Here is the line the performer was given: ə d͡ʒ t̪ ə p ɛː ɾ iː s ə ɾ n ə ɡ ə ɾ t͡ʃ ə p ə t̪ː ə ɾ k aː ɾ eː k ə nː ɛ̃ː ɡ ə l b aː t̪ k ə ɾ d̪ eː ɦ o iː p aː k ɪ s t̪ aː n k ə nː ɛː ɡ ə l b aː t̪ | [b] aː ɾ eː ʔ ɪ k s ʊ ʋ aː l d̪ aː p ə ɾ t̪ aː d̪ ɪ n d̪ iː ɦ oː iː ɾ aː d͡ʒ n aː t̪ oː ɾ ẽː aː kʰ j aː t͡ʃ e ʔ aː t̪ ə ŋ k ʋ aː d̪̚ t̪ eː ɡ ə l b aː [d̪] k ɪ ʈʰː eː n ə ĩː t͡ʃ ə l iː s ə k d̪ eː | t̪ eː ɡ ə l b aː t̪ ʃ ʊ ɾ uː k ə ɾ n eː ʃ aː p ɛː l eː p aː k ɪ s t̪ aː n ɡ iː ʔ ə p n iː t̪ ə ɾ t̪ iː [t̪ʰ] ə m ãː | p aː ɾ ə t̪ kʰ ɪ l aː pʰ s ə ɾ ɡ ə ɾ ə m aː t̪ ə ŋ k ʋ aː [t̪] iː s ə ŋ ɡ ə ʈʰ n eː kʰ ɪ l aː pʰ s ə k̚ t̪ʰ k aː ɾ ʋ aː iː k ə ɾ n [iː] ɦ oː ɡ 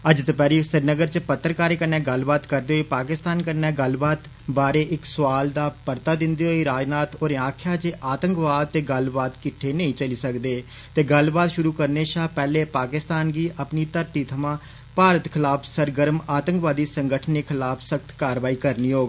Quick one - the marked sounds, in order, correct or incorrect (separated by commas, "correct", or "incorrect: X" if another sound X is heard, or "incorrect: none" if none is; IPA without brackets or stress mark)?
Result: correct, incorrect: t̪, correct, incorrect: d̪, correct